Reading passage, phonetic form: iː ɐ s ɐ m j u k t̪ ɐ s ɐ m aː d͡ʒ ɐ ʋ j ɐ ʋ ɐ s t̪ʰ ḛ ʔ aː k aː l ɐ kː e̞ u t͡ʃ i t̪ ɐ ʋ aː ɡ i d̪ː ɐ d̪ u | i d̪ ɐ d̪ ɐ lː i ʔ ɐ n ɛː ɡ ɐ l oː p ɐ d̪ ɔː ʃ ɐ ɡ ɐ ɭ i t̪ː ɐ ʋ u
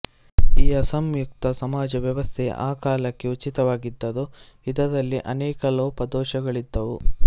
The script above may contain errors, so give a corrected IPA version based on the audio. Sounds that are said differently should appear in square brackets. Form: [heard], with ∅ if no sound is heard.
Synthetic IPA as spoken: iː ɐ s ɐ m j u k t̪ ɐ s ɐ m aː d͡ʒ ɐ ʋ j ɐ ʋ ɐ s t̪ʰ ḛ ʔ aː k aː l ɐ kː e̞ u t͡ʃ i t̪ ɐ ʋ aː ɡ i d̪ː ɐ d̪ u | i d̪ ɐ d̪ ɐ lː i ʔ ɐ n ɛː [k] ɐ l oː p ɐ d̪ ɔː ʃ ɐ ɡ ɐ ɭ i [d̪ː] ɐ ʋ u

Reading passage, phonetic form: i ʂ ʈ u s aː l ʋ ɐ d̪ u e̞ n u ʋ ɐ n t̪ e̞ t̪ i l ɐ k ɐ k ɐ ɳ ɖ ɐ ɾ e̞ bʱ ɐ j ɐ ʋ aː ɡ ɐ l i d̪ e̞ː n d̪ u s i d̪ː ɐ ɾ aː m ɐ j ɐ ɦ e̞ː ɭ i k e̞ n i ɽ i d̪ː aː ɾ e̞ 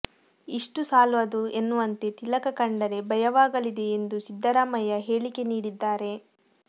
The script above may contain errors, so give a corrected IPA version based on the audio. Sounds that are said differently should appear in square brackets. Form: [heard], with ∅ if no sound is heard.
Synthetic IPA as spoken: i ʂ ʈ u s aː l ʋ ɐ d̪ u e̞ [nː] u ʋ ɐ n t̪ e̞ t̪ i l ɐ k ɐ k ɐ ɳ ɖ ɐ ɾ e̞ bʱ ɐ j ɐ ʋ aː ɡ ɐ l i d̪ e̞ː n d̪ u s i d̪ː ɐ ɾ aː m ɐ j ɐ ɦ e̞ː ɭ i k e̞ n [iː] ɽ i d̪ː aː ɾ e̞

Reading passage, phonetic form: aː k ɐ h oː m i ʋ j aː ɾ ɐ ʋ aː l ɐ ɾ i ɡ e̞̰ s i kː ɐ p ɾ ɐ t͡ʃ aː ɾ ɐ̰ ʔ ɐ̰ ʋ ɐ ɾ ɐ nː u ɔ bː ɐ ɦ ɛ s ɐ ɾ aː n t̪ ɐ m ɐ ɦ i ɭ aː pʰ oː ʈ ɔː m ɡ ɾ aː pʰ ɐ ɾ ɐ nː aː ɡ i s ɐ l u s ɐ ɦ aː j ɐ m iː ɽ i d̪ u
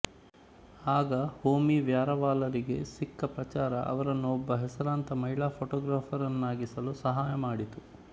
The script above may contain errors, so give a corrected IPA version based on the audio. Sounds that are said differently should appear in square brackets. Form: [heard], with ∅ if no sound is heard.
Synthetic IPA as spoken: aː [ɡ] ɐ h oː m i ʋ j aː ɾ ɐ ʋ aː l ɐ ɾ i ɡ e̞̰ s i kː ɐ p ɾ ɐ t͡ʃ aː ɾ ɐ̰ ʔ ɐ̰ ʋ ɐ ɾ ɐ nː u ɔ bː ɐ ɦ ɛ s ɐ ɾ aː n t̪ ɐ m ɐ ɦ i ɭ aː pʰ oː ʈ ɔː [∅] ɡ ɾ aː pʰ ɐ ɾ ɐ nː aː ɡ i s ɐ l u s ɐ ɦ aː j ɐ m [aː] ɽ i [t̪] u

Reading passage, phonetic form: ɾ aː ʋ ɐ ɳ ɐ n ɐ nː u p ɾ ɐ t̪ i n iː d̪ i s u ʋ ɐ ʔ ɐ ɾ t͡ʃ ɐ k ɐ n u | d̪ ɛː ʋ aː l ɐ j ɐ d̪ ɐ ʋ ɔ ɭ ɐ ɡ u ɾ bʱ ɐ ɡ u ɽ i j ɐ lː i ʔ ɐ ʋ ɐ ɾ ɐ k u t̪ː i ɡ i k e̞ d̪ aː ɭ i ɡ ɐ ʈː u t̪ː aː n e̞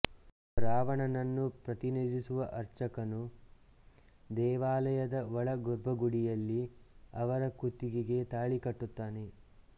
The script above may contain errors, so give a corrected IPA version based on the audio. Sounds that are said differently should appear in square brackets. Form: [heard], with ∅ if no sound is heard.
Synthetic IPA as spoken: ɾ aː ʋ ɐ ɳ ɐ n ɐ nː u p ɾ ɐ t̪ i n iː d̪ i s u ʋ ɐ ʔ ɐ ɾ t͡ʃ ɐ k ɐ n u | d̪ ɛː ʋ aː l ɐ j ɐ d̪ ɐ ʋ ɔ ɭ ɐ ɡ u ɾ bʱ ɐ ɡ u ɽ i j ɐ lː i [∅] ɐ ʋ ɐ ɾ ɐ k u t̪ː i ɡ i [ɡ] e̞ [t̪] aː ɭ i [k] ɐ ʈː u t̪ː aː n e̞

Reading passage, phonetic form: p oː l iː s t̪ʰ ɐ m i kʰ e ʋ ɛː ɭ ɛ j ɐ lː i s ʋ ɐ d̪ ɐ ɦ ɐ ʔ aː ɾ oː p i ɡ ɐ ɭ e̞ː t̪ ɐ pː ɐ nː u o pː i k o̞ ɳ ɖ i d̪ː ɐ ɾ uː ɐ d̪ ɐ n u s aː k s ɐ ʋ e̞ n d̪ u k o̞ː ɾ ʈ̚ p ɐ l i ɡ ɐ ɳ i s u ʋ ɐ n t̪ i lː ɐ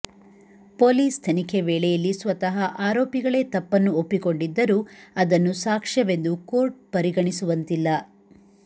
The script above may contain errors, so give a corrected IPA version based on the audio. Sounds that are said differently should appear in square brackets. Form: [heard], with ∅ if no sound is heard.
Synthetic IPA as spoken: p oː l iː s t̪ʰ ɐ [n] i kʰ e ʋ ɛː ɭ ɛ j ɐ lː i s ʋ ɐ [t̪] ɐ ɦ ɐ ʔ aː ɾ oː p i ɡ ɐ ɭ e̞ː t̪ ɐ pː ɐ nː u o pː i k o̞ ɳ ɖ i d̪ː ɐ ɾ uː ɐ d̪ ɐ [nː] u s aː k [ʂ] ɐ ʋ e̞ n d̪ u k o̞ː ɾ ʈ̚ p ɐ [ɾ] i ɡ ɐ ɳ i s u ʋ ɐ n t̪ i lː ɐ

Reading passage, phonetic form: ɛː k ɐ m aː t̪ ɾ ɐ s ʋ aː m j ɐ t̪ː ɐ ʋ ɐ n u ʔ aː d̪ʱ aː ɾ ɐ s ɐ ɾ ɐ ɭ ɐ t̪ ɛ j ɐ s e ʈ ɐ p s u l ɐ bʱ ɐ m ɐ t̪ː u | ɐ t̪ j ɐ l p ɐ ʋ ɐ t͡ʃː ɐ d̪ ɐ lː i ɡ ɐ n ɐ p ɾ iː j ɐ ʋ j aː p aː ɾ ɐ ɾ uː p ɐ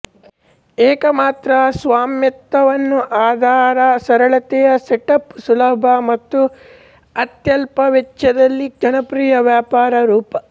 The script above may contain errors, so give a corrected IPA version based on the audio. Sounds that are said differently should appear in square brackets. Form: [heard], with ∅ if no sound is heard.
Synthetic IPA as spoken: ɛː k ɐ m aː t̪ ɾ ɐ s ʋ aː m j ɐ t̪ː ɐ ʋ ɐ [nː] u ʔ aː d̪ʱ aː ɾ ɐ s ɐ ɾ ɐ ɭ ɐ t̪ ɛ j ɐ s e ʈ ɐ p s u l ɐ bʱ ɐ m ɐ t̪ː u | ɐ t̪ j ɐ l p ɐ ʋ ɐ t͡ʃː ɐ d̪ ɐ lː i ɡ ɐ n ɐ p ɾ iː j ɐ ʋ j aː p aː ɾ ɐ ɾ uː p ɐ

